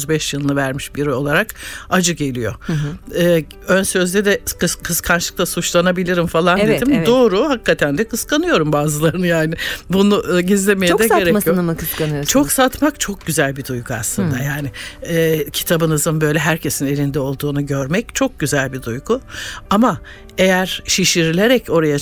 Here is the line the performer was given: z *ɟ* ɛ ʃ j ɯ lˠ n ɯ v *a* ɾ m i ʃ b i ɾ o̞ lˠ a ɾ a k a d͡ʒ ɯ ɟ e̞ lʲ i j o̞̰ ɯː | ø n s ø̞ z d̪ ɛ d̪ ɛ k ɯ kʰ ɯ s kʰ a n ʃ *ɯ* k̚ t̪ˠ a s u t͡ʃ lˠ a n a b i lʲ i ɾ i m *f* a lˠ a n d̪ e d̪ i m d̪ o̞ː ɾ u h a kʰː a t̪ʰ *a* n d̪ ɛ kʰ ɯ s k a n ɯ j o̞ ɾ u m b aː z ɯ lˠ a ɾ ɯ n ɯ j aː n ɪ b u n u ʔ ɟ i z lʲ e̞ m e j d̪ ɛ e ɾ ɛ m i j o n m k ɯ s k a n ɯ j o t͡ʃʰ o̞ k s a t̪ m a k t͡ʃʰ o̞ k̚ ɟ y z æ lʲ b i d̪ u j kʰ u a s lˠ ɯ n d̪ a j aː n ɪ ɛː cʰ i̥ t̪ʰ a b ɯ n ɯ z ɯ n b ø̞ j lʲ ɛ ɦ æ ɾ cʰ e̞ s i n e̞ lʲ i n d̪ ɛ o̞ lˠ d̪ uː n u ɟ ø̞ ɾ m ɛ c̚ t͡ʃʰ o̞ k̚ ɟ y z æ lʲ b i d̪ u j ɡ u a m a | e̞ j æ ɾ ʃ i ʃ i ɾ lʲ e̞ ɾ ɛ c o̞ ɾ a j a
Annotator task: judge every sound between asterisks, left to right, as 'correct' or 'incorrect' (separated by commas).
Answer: incorrect, incorrect, correct, correct, incorrect